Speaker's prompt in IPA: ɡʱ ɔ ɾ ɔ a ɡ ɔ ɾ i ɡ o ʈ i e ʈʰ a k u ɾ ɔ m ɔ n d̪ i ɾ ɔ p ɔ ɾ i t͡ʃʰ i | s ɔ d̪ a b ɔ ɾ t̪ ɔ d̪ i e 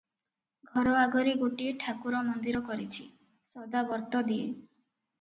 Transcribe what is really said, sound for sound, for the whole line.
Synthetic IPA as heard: ɡʱ ɔ ɾ ɔ a ɡ ɔ ɾ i ɡ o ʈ i e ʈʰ a k u ɾ ɔ m ɔ n d̪ i ɾ ɔ k ɔ ɾ i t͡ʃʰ i | s ɔ d̪ a b ɔ ɾ t̪ ɔ d̪ i e